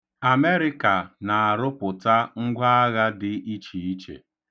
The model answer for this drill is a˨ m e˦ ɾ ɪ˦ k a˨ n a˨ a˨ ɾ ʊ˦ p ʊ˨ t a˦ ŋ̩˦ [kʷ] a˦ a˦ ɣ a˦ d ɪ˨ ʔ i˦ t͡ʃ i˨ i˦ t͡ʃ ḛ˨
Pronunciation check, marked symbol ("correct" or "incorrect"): incorrect